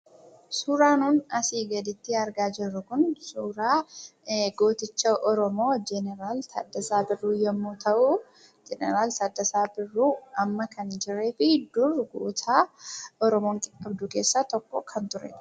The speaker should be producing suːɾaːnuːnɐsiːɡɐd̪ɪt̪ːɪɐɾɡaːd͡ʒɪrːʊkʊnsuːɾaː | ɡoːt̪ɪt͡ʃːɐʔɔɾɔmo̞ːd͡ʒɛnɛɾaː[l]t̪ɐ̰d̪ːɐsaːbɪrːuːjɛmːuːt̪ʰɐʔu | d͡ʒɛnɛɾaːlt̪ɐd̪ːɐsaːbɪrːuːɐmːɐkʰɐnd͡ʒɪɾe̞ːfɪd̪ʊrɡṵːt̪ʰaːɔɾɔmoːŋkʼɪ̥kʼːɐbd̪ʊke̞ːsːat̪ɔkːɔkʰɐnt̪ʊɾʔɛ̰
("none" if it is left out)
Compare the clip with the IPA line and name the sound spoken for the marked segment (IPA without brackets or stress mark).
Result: l